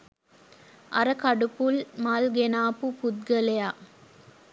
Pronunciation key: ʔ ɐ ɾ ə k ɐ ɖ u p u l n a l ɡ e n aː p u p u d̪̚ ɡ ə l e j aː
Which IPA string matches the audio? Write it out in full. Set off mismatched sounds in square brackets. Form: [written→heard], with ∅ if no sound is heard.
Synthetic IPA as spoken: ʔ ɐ ɾ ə k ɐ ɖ u p u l [n→m] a l ɡ e n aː p u p u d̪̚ ɡ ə l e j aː